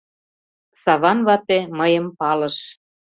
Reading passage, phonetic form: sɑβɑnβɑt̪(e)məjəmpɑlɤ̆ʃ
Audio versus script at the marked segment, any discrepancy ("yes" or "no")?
no